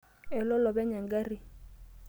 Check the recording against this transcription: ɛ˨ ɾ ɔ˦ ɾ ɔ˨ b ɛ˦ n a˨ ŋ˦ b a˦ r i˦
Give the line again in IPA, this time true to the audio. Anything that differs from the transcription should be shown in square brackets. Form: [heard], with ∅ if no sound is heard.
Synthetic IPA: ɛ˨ [l] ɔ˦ [l] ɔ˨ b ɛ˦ [ɲ] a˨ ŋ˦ [ɡ] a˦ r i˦